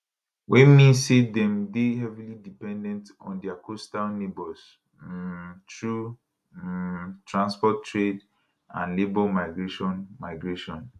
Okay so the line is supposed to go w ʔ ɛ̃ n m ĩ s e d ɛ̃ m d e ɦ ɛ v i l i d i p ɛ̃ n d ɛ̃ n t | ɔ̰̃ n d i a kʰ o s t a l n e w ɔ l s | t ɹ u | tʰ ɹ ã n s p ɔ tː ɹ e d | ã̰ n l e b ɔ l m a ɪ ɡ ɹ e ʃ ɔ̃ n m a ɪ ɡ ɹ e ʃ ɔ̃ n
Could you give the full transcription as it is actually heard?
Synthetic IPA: w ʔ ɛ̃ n m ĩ s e d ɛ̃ m d e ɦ ɛ v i l i d i p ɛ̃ n d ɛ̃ n t | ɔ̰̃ n d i a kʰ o s t a l n e b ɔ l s | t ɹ u | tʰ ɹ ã n s p ɔ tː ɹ e d | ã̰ n l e b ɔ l m a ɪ ɡ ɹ e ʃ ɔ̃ n m a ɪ ɡ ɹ e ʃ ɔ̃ n